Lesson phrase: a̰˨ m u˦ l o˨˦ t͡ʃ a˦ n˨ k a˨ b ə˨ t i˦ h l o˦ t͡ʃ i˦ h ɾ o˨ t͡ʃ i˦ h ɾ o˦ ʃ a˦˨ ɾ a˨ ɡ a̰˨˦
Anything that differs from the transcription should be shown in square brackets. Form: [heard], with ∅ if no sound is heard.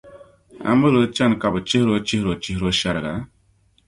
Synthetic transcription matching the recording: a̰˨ m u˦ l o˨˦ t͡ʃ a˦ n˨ k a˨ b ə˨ [t͡ʃ] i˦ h [ɾ] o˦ t͡ʃ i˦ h ɾ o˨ t͡ʃ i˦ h ɾ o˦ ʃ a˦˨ ɾ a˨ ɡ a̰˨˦